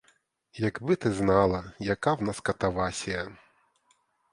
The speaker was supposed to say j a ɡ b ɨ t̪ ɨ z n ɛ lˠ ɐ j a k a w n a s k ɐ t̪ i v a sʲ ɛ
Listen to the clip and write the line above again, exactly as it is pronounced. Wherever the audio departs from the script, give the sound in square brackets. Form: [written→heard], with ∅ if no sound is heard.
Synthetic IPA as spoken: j a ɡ b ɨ t̪ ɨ z n [ɛ→a] lˠ ɐ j a k a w n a s k ɐ t̪ [i→a] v a sʲ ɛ